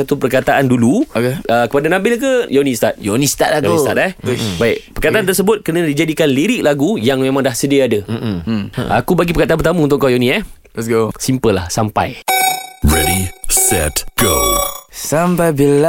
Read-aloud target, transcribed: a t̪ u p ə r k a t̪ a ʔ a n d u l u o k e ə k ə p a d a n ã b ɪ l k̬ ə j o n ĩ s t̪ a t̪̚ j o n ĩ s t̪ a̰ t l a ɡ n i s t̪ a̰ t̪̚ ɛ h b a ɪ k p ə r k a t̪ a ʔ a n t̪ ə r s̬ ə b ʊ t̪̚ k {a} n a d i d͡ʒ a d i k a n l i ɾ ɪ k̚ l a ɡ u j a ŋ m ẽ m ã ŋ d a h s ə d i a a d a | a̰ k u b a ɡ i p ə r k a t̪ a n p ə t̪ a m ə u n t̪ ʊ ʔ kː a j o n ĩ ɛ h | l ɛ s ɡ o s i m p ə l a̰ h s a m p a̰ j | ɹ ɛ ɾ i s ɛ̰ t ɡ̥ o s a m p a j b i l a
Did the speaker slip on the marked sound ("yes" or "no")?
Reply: yes